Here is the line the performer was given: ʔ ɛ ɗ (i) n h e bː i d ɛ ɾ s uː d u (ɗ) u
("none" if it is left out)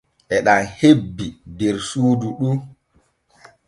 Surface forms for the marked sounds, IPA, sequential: a, ɗ

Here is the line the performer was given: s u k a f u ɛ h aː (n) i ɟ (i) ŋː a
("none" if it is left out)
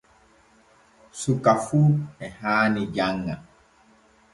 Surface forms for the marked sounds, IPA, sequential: n, a

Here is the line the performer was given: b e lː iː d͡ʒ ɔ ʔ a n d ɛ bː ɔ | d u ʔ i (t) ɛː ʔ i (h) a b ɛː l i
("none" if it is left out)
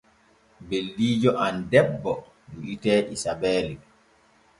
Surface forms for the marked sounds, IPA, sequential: t, s

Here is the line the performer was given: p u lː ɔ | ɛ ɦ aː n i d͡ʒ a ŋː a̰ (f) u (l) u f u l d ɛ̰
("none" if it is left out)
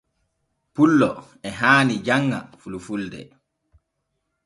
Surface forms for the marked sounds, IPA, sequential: f, l

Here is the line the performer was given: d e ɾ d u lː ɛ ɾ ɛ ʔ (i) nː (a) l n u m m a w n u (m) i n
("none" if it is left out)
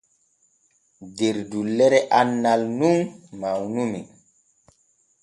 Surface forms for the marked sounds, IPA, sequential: a, a, m

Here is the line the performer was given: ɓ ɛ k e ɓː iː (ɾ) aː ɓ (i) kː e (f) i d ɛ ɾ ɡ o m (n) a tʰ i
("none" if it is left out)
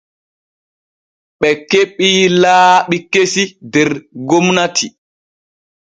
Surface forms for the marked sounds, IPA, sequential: l, i, s, n

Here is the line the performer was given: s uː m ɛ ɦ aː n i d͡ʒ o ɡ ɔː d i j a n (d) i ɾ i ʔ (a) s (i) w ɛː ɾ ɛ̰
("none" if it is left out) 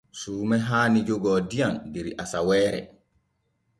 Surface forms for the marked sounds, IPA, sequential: d, a, a

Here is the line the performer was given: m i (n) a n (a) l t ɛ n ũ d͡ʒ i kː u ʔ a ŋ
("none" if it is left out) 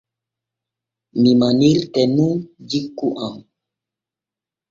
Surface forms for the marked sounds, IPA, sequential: m, i

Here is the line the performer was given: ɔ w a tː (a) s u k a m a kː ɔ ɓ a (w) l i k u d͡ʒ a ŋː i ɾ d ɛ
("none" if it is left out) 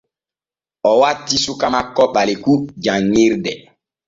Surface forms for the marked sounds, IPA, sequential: i, none

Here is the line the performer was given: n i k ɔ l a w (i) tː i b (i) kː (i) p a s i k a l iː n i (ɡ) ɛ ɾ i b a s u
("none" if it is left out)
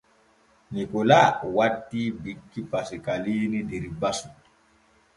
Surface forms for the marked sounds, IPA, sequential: a, i, i, d

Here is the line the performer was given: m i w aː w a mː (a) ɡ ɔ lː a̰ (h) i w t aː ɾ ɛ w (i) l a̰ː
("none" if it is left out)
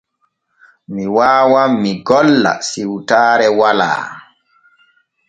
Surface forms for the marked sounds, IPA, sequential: i, s, a

